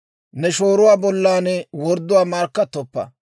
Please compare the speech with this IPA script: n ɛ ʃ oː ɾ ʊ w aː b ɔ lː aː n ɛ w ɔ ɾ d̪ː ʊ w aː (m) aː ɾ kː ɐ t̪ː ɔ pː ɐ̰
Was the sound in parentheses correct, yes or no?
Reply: yes